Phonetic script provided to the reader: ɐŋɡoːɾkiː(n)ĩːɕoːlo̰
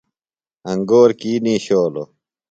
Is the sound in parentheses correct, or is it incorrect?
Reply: correct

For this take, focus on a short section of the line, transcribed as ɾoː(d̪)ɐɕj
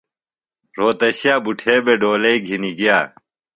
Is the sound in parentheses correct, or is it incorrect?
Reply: incorrect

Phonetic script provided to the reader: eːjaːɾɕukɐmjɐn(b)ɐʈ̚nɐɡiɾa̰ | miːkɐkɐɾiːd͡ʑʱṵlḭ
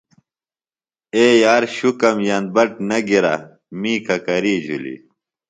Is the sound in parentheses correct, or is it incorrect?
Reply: correct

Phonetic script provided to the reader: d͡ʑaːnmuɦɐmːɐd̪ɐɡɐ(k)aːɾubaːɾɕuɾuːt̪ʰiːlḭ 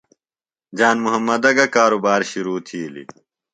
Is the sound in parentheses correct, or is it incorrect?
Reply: correct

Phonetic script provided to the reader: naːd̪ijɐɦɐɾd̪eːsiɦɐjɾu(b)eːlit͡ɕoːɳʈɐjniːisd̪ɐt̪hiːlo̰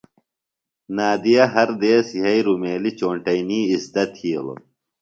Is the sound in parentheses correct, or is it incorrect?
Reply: incorrect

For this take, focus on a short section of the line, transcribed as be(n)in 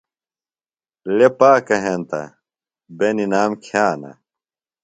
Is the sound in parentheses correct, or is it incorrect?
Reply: correct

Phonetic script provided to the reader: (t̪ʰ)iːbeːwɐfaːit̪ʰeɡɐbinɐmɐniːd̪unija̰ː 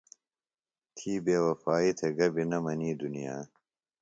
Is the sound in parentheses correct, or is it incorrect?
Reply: correct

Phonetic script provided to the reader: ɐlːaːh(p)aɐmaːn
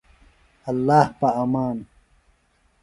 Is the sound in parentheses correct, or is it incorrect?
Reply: correct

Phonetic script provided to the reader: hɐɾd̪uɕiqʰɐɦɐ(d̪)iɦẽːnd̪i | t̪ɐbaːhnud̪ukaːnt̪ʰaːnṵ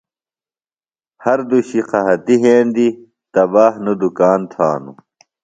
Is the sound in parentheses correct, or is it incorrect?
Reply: incorrect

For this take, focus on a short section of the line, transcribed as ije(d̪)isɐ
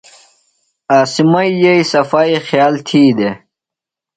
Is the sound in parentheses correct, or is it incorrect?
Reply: incorrect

